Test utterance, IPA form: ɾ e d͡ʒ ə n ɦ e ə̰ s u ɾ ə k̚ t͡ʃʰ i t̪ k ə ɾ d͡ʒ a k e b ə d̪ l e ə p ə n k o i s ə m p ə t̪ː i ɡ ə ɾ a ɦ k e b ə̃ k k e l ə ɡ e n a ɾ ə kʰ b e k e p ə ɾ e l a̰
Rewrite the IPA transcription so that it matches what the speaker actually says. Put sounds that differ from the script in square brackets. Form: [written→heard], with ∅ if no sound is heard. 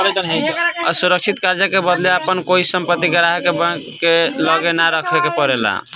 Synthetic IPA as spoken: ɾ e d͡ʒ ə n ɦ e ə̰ s u ɾ ə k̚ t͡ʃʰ i t̪ k [ə→a] ɾ d͡ʒ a k e b ə d̪ l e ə p ə n k o i s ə m p ə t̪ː i ɡ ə ɾ a ɦ k e b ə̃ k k e l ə ɡ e n a ɾ ə kʰ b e k e p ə ɾ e l a̰